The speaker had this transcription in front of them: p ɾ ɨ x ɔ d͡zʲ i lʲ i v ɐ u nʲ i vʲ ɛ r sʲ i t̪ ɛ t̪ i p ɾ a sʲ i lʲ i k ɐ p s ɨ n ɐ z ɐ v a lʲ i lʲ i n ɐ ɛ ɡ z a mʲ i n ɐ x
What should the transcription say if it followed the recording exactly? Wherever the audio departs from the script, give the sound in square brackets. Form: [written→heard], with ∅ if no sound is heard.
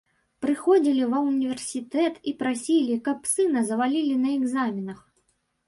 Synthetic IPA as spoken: p ɾ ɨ x ɔ d͡zʲ i lʲ i v ɐ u nʲ i vʲ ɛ r sʲ i t̪ ɛ t̪ i p ɾ a sʲ i lʲ i k ɐ p s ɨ n ɐ z ɐ v a lʲ i lʲ i n ɐ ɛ ɡ z a mʲ i n ɐ x